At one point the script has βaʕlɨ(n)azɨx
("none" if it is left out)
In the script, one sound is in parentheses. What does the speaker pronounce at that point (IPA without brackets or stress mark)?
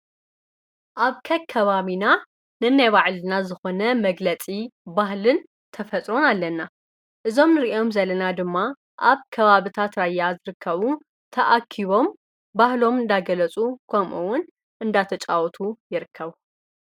n